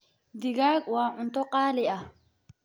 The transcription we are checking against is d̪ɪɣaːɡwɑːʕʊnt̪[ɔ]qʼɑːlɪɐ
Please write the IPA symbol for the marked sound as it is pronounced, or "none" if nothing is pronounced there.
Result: ɔ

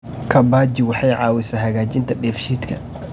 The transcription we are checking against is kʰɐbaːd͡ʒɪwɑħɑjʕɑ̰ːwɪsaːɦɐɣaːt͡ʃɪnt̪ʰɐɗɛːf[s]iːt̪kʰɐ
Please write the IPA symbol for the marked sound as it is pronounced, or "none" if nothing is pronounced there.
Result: ʃ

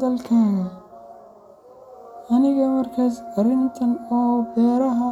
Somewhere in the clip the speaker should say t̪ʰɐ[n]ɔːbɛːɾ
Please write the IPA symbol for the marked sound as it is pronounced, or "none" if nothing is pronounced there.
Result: n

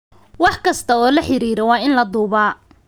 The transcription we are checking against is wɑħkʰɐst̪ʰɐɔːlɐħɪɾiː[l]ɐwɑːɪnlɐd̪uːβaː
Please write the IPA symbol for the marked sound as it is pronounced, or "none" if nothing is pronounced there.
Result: ɾ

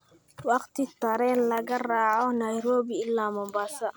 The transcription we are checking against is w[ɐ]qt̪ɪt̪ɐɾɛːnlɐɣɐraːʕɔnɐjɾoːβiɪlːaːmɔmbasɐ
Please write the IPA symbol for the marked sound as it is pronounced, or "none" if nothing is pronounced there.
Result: ɑ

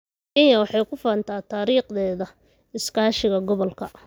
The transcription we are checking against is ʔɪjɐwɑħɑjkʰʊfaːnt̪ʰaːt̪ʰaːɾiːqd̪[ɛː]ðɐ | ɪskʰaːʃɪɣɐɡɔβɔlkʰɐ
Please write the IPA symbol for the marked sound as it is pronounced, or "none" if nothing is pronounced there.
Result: ɛː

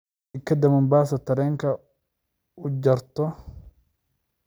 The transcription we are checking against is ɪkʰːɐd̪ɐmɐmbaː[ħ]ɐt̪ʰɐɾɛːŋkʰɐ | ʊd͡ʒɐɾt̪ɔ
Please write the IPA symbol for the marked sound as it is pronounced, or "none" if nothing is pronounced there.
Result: s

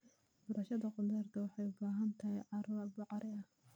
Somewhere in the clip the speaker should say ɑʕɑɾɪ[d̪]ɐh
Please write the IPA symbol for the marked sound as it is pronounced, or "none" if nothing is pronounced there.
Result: none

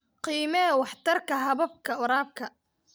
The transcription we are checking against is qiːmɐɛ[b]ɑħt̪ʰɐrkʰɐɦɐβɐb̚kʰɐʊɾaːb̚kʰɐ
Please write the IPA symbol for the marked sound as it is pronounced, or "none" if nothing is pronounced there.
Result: w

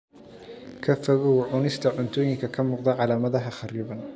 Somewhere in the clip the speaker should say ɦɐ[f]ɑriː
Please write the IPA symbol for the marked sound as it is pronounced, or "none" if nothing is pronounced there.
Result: χ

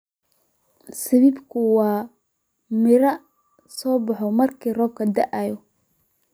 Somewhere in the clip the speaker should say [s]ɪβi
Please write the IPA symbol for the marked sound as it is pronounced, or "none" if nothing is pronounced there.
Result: s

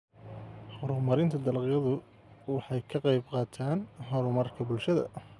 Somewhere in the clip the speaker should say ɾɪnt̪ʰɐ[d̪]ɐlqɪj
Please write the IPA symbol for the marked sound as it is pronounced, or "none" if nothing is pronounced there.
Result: d̪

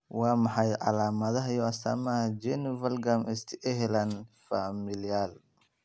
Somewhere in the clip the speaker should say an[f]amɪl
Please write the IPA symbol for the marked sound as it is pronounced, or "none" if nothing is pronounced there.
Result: f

